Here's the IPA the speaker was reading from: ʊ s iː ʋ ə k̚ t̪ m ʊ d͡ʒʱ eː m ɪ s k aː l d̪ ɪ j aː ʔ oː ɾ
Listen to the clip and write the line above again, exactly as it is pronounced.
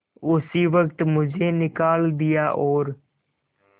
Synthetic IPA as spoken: ʊ s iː ʋ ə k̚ t̪ m ʊ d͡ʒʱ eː n ɪ k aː l d̪ ɪ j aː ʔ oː ɾ